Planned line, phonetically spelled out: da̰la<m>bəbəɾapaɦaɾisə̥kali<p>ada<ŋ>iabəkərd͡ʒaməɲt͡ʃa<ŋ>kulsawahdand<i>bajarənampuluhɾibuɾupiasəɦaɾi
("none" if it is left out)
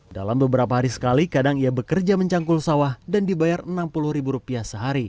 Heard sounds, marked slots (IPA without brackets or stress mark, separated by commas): m, k, ŋ, ŋ, i